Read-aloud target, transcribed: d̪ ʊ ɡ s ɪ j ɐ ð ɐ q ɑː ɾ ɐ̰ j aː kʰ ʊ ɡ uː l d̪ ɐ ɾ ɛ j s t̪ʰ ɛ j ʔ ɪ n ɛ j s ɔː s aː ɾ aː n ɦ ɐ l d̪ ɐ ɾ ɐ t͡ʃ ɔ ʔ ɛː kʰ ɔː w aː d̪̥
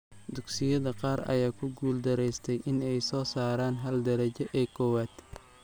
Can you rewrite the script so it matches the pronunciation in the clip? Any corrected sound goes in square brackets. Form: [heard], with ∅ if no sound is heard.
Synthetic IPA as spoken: d̪ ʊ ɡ s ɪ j ɐ ð ɐ q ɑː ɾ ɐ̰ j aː kʰ ʊ ɡ uː l d̪ ɐ ɾ ɛ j s t̪ʰ ɛ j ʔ ɪ n ɛ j s ɔː s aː ɾ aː n ɦ ɐ l d̪ ɐ ɾ ɐ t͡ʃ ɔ ʔ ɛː kʰ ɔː w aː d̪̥

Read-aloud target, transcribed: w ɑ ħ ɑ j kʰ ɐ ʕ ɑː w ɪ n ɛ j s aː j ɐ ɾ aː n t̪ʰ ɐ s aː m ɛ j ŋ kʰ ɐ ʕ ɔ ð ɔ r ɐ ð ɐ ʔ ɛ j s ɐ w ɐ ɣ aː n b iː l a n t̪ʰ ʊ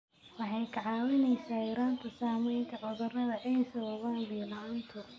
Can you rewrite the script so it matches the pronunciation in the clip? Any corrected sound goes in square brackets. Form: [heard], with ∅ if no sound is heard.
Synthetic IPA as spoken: w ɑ ħ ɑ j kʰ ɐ ʕ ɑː w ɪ n ɛ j s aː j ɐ ɾ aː n t̪ʰ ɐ s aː m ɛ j ŋ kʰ ɐ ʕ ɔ ð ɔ r ɐ ð ɐ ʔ ɛ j s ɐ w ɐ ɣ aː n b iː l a n t̪ʰ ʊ

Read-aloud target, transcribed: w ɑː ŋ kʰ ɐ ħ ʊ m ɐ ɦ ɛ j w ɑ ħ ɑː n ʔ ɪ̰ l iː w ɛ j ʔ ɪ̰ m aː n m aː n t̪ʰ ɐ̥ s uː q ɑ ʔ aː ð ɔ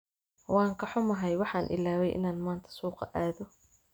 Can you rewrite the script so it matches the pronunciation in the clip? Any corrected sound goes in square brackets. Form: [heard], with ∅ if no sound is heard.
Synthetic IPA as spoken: w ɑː ŋ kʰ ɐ ħ ʊ m ɐ ɦ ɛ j w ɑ ħ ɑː n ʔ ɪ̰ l [aː] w ɛ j ʔ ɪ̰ [n] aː n m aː n t̪ʰ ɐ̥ s uː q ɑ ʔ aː ð ɔ

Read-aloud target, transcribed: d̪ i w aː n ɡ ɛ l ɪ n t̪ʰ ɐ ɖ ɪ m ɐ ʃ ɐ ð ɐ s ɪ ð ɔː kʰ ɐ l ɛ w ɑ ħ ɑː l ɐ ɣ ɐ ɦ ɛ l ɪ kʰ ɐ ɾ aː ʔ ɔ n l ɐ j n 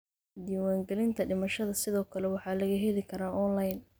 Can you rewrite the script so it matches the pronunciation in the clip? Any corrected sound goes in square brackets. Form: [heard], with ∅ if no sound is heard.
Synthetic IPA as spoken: d̪ [iː] w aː [ŋ] ɡ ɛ l ɪ n t̪ʰ ɐ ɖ ɪ m ɐ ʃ ɐ ð ɐ s ɪ ð ɔː kʰ ɐ l ɛ w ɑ ħ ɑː l ɐ ɣ ɐ ɦ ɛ l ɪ kʰ ɐ ɾ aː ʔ ɔ n l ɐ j n

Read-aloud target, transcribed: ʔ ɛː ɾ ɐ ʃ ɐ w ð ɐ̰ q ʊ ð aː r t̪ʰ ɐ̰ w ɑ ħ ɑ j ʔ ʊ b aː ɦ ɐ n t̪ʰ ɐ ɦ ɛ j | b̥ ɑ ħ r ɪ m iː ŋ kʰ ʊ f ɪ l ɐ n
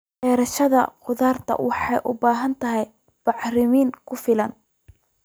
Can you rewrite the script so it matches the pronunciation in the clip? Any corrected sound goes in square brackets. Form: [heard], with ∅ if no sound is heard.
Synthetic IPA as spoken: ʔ ɛː ɾ ɐ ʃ ɐ [∅] ð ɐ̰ q ʊ ð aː r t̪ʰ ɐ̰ w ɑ ħ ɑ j ʔ ʊ b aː ɦ ɐ n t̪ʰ ɐ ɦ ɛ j | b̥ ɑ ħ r ɪ m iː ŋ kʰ ʊ f ɪ l ɐ n

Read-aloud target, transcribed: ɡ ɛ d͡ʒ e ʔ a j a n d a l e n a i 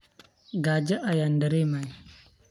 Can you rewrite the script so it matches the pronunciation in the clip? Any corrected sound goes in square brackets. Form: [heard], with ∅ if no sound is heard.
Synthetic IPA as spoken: ɡ [a] d͡ʒ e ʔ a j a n d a [ɾ] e [m] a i

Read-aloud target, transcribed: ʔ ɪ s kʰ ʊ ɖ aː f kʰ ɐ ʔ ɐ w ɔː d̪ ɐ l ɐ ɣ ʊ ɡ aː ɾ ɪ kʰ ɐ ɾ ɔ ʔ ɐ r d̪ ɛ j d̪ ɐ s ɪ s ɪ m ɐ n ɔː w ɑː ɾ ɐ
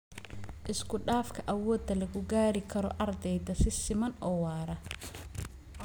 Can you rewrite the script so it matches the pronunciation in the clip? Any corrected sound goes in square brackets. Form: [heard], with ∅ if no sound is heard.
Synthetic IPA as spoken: ʔ ɪ s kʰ ʊ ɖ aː f kʰ ɐ ʔ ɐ w ɔː d̪ ɐ l ɐ ɣ ʊ ɡ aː ɾ ɪ kʰ ɐ ɾ ɔ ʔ ɐ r d̪ ɛ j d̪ ɐ s ɪ s ɪ m ɐ n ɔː w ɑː ɾ ɐ

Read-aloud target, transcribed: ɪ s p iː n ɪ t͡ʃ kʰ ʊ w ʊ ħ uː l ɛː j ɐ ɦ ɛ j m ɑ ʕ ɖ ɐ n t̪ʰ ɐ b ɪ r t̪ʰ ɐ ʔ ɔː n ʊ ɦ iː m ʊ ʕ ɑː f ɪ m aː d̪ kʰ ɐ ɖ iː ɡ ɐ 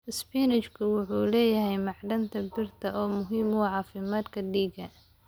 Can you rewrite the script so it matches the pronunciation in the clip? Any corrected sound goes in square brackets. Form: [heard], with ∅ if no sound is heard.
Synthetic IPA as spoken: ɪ s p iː n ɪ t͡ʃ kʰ ʊ w ʊ ħ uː l ɛː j ɐ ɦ ɛ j m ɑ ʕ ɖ ɐ n t̪ʰ ɐ b ɪ r t̪ʰ ɐ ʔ ɔː [m] ʊ ɦ iː m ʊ ʕ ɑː f ɪ m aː d̪ kʰ ɐ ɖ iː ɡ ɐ

